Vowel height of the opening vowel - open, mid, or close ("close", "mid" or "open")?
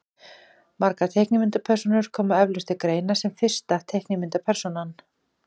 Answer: open